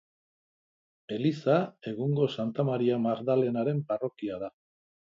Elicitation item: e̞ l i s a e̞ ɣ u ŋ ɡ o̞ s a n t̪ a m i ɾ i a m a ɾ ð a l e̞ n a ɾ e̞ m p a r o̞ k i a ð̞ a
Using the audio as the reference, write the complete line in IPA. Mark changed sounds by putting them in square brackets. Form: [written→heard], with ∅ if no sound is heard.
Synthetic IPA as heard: e̞ l i s a e̞ ɣ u ŋ ɡ o̞ s a n t̪ a m [i→a] ɾ i a m a ɾ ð a l e̞ n a ɾ e̞ m p a r o̞ k i a ð̞ a